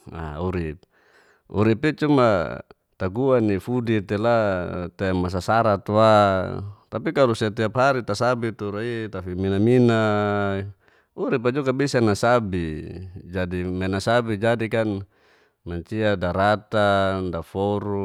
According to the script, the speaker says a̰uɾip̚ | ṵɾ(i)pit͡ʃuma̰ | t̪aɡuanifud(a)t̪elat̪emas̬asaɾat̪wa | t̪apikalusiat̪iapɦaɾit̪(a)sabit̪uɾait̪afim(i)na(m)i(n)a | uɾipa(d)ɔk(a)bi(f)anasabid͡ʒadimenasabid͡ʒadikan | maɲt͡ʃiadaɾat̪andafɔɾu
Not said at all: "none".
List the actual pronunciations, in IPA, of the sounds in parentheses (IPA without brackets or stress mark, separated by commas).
i, i, a, i, m, n, d͡ʒ, a, s